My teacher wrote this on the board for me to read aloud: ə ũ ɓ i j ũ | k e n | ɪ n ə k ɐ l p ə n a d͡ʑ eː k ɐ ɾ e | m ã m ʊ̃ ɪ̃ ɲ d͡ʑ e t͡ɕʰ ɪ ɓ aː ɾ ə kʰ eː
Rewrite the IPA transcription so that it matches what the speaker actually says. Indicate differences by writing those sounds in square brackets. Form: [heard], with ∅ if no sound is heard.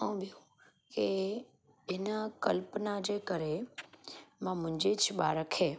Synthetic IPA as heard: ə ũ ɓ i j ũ | k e [∅] | ɪ n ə k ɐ l p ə n a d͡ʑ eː k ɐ ɾ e | m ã m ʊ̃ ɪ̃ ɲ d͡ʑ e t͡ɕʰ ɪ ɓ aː ɾ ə kʰ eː